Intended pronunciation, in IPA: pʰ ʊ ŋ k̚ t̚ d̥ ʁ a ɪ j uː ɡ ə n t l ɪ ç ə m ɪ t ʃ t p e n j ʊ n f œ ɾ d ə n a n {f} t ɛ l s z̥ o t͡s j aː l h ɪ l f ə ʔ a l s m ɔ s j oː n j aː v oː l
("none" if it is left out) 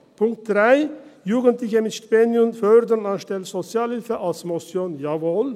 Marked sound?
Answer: ʃ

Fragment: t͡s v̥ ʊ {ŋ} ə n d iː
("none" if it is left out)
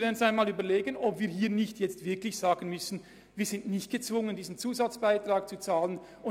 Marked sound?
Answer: ŋ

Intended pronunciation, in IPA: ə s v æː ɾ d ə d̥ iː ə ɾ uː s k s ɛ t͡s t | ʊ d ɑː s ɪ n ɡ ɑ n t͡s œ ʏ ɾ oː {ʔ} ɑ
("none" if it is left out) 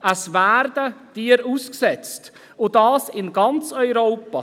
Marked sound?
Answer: p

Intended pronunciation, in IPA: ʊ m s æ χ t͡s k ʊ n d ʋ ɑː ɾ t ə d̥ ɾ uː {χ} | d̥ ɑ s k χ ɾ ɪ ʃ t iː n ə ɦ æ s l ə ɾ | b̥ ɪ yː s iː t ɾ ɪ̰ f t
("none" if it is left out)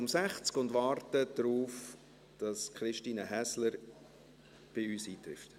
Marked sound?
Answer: f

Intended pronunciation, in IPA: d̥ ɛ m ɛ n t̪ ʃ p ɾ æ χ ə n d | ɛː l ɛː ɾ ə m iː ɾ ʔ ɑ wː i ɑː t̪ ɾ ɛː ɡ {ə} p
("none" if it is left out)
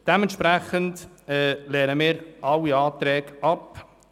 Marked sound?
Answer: ɑ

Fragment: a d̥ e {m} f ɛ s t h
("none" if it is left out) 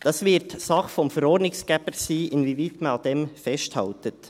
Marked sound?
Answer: m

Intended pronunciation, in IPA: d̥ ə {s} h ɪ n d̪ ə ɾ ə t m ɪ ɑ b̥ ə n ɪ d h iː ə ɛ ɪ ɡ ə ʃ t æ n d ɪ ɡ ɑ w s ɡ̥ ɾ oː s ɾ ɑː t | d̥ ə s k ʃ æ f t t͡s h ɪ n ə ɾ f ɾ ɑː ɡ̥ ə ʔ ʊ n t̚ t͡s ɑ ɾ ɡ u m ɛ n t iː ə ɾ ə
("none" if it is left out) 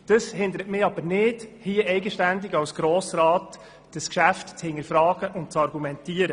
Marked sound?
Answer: s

